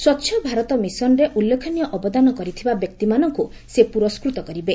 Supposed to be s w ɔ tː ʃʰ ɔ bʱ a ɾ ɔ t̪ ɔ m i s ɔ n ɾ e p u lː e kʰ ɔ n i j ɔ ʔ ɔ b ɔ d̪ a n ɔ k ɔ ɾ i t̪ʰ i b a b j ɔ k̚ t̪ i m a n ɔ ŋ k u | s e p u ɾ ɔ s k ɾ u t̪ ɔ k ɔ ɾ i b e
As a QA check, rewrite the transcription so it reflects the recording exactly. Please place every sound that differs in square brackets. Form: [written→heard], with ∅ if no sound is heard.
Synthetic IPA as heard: s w ɔ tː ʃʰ ɔ bʱ a ɾ ɔ t̪ ɔ m i s ɔ n ɾ e [p→ʔ] u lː e kʰ ɔ n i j ɔ ʔ ɔ b ɔ d̪ a n ɔ k ɔ ɾ i t̪ʰ i b a b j ɔ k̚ t̪ i m a n ɔ ŋ k u | s e p u ɾ ɔ s k ɾ u t̪ ɔ k ɔ ɾ i b e